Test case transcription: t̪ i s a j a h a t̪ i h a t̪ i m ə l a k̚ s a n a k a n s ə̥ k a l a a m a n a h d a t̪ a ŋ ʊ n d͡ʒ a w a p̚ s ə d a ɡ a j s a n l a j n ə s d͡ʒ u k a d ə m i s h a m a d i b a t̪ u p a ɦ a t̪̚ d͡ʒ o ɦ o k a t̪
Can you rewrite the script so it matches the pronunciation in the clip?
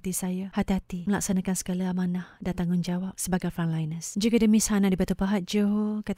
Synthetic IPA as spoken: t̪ i s a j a h a t̪ i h a t̪ i m ə l a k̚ s a n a k a n s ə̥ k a l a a m a n a h d a t̪ a ŋ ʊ n d͡ʒ a w a p̚ s ə b a ɡ a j f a n l a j n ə s d͡ʒ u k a d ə m i s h a n a d i b a t̪ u p a ɦ a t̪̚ d͡ʒ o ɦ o k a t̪